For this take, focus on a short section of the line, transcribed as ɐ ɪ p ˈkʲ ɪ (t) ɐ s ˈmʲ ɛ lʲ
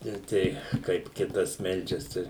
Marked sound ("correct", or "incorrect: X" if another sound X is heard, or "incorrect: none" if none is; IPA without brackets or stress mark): correct